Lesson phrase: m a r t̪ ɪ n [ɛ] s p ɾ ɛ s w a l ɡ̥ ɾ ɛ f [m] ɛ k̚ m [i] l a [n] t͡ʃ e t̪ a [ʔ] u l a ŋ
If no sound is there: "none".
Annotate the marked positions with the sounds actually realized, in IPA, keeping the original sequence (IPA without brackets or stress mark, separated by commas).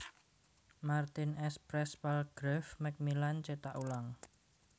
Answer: ɛ, m, i, n, ʔ